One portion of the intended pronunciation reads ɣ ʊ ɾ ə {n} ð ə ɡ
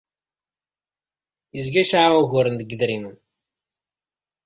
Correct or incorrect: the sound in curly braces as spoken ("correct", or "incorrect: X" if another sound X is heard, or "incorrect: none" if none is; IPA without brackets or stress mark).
correct